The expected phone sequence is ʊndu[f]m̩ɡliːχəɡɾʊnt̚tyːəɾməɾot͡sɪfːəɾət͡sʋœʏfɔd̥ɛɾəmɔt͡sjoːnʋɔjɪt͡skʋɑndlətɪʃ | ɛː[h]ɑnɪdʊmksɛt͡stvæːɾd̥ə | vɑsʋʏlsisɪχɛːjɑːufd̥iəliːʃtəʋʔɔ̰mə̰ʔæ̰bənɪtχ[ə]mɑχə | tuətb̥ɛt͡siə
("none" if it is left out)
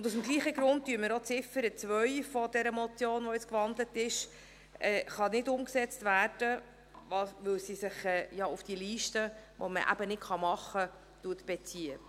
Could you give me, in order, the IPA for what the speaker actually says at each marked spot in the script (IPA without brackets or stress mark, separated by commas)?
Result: s, χ, ɑ